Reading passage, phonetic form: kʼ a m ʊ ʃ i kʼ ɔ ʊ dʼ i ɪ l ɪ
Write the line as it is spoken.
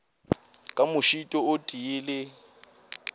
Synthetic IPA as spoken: kʼ a m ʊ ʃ i tʼ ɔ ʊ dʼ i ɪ l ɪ

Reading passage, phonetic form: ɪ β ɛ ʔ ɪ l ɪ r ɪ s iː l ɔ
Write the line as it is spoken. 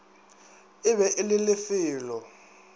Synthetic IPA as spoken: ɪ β ɛ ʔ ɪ l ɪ l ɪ f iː l ɔ

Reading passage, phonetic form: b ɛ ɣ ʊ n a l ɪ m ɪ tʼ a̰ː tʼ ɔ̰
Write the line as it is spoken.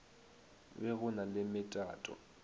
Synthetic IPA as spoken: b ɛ ɣ ʊ n a l ɪ m ɪ tʼ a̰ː tʼ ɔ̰

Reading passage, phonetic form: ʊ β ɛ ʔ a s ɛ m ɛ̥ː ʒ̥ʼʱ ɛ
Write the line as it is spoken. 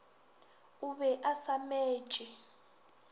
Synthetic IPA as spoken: u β ɛ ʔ a s a m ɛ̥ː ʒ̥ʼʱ ɛ

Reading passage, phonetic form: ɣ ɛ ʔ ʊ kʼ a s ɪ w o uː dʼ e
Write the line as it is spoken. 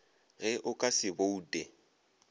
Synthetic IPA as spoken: ɣ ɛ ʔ ʊ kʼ a s ɪ b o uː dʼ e

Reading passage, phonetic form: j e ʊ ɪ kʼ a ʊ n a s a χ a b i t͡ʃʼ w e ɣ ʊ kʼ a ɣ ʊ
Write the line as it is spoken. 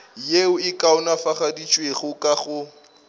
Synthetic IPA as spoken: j e ʊ ɪ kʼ a ʊ n a f a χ a d i t͡ʃʼ w e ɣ ʊ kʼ a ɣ ʊ

